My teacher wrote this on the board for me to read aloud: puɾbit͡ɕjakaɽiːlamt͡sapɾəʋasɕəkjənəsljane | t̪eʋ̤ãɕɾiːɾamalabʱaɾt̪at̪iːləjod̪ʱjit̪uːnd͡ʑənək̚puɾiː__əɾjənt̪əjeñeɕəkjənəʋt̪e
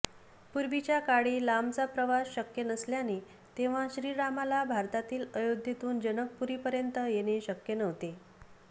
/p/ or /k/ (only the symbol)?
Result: p